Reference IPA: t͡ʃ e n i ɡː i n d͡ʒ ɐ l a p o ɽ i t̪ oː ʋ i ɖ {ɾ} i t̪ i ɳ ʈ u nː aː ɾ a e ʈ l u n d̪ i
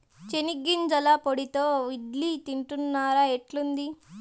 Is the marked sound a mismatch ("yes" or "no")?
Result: yes